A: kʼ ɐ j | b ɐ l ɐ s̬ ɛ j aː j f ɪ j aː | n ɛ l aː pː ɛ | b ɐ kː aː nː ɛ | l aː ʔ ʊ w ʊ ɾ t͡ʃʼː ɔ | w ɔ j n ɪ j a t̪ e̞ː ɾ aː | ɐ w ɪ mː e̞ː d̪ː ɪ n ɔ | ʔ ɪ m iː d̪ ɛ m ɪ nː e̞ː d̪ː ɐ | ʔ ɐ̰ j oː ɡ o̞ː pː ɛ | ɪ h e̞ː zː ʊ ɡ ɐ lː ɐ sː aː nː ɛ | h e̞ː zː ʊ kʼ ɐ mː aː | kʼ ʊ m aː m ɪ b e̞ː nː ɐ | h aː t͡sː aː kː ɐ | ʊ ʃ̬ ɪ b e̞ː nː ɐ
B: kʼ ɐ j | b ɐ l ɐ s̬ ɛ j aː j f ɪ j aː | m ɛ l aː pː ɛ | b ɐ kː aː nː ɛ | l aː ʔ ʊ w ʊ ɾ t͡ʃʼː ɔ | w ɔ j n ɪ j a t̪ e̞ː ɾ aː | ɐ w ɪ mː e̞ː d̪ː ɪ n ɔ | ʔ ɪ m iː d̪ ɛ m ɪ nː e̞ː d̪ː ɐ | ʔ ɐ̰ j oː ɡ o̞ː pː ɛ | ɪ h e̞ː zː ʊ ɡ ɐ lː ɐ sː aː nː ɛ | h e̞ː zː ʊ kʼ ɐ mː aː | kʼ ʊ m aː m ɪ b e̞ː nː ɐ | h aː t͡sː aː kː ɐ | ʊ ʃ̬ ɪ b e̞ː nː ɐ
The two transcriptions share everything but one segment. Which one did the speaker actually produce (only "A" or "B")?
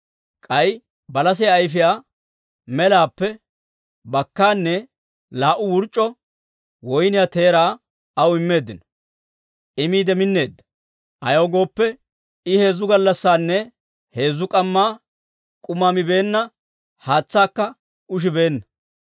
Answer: B